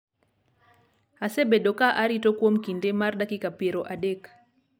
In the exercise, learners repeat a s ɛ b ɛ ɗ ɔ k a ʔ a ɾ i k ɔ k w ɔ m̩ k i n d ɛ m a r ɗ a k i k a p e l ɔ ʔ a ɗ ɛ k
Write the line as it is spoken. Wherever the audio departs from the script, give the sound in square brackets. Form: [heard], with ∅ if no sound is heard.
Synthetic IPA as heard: a s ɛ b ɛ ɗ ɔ k a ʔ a ɾ i [t] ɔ k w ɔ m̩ k i n d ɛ m a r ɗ a k i k a p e [ɾ] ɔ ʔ a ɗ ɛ k